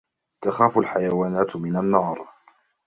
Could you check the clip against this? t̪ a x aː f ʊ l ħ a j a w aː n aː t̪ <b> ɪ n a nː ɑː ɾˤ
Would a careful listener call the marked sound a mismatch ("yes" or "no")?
yes